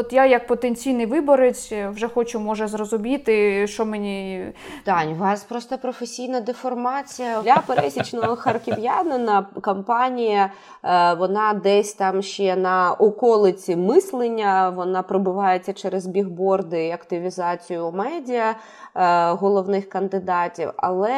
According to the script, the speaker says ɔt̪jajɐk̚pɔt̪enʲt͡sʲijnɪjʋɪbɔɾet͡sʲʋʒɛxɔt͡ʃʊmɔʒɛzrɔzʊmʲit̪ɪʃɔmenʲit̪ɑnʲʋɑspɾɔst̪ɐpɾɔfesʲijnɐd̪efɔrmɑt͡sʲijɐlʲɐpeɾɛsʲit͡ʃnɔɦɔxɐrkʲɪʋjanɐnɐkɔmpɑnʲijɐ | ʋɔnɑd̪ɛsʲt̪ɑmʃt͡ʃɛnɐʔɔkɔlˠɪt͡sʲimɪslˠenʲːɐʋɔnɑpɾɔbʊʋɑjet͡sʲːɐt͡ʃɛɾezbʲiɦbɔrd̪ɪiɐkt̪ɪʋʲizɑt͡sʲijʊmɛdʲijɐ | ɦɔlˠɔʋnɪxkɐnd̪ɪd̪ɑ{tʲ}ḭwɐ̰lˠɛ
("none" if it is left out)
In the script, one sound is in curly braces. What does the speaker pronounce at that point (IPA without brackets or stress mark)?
tʲ